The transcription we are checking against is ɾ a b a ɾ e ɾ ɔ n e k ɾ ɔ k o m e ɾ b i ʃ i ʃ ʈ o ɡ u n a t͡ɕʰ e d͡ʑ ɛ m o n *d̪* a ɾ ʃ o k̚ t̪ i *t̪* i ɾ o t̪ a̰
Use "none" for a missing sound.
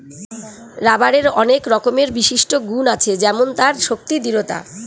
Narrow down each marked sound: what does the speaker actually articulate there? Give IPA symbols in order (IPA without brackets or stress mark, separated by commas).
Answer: t̪, d̪